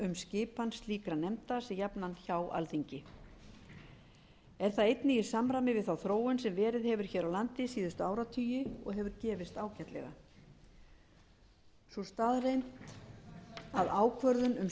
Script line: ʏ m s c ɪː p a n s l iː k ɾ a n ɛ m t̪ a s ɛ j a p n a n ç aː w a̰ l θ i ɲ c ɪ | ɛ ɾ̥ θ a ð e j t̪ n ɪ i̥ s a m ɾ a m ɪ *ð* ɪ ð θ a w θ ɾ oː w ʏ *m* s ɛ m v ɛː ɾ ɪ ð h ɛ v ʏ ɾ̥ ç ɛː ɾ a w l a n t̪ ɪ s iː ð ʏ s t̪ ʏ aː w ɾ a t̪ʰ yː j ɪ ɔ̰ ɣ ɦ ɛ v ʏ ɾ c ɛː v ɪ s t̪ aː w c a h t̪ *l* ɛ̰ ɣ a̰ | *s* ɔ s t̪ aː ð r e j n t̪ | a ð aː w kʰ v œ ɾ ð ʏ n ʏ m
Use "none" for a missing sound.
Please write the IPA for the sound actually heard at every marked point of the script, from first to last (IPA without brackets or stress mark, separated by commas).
v, n, l, s